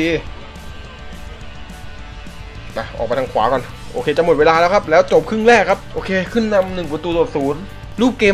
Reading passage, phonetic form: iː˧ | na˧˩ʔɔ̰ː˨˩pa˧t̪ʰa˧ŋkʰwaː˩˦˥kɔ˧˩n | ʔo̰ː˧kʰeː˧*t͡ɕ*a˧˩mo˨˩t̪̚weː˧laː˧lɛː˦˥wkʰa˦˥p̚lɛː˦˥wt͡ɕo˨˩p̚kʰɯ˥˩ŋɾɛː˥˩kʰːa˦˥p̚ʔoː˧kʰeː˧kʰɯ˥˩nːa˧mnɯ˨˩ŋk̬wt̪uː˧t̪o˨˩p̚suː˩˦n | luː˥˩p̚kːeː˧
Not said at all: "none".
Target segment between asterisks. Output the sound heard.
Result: t͡ɕ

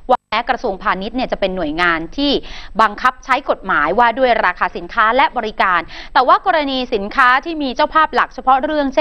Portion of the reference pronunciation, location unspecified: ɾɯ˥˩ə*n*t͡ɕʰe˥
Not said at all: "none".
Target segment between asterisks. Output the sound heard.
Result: ŋ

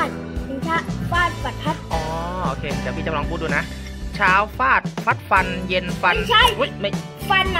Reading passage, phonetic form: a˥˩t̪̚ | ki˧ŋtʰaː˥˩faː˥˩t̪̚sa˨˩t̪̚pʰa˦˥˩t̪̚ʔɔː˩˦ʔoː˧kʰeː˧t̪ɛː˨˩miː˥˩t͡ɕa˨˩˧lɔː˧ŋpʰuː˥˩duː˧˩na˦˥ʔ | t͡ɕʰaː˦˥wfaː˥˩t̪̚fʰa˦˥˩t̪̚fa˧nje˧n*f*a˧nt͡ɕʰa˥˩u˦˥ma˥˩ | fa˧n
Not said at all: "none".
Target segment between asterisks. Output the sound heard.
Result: f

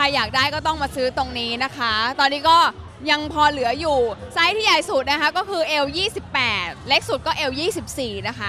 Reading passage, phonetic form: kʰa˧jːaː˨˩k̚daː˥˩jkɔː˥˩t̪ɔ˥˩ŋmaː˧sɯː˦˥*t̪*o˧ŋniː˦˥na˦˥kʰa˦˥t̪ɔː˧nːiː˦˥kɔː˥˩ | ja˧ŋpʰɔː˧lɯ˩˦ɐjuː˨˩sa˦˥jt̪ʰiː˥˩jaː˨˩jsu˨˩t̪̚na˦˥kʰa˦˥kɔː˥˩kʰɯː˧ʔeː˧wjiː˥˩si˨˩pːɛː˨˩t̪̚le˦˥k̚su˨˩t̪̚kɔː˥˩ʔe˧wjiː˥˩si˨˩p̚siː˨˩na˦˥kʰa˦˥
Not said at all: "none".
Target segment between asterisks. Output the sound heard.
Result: t̪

